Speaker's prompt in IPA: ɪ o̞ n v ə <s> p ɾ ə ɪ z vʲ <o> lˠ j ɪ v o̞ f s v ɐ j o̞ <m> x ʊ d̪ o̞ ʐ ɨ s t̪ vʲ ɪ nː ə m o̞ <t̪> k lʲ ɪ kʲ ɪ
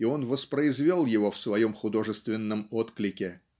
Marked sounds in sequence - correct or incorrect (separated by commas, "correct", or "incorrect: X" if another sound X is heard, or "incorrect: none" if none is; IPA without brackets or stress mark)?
correct, correct, correct, correct